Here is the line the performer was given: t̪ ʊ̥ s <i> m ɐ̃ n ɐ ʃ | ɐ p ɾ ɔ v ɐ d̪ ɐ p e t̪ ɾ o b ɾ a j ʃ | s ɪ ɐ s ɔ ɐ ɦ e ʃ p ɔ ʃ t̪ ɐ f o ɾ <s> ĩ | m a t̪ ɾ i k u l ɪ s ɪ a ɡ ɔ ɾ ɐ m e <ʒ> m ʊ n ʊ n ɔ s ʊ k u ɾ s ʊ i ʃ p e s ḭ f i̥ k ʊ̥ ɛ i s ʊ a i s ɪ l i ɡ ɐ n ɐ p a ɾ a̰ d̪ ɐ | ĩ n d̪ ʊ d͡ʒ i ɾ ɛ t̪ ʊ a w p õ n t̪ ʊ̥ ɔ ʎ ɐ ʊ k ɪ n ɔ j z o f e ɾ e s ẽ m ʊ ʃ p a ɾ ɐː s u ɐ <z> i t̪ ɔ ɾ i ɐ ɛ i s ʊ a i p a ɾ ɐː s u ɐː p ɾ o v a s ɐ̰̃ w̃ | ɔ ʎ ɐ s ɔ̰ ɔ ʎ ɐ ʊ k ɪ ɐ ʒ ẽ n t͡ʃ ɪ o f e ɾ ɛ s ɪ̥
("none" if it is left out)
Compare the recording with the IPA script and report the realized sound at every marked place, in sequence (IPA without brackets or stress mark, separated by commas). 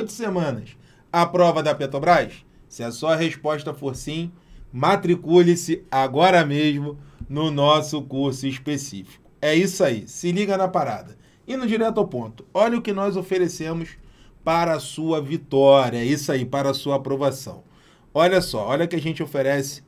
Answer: e, s, ʒ, v